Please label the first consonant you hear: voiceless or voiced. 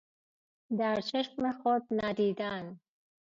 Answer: voiced